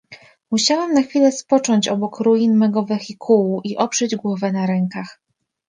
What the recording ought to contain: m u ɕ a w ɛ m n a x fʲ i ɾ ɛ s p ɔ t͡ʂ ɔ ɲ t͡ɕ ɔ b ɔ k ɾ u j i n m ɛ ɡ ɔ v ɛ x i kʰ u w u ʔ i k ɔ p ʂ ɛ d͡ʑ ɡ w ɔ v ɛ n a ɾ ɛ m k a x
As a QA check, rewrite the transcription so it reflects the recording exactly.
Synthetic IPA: m u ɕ a w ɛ m n a x fʲ i l ɛ s p ɔ t͡ʂ ɔ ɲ t͡ɕ ɔ b ɔ k ɾ u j i n m ɛ ɡ ɔ v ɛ x i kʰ u w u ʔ i ʔ ɔ p ʂ ɛ d͡ʑ ɡ w ɔ v ɛ n a ɾ ɛ ŋ k a x